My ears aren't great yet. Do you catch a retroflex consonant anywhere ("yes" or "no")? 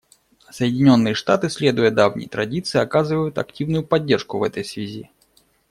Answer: yes